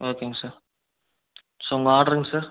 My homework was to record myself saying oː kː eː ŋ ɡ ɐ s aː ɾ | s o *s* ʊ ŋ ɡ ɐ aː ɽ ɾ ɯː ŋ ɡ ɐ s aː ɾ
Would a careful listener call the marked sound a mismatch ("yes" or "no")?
yes